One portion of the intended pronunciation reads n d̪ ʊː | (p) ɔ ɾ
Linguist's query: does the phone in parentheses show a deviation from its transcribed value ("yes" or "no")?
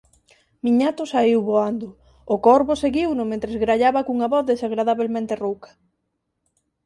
yes